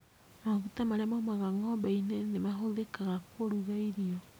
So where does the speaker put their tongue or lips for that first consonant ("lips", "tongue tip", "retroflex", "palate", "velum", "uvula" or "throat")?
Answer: lips